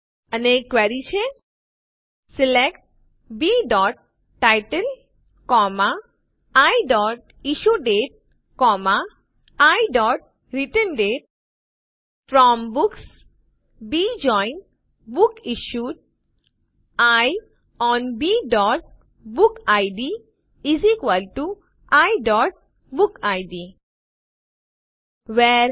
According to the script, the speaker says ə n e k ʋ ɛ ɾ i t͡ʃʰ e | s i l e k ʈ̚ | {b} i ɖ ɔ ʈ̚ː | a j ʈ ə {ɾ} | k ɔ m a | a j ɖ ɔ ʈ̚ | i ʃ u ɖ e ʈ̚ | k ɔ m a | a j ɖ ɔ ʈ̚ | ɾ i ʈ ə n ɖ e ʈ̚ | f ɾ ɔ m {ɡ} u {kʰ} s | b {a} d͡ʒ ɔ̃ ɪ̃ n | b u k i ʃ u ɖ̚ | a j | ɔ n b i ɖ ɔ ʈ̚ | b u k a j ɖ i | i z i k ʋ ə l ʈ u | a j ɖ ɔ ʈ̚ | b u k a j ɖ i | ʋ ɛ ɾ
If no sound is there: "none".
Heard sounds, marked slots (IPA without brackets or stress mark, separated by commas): b, l, b, k, i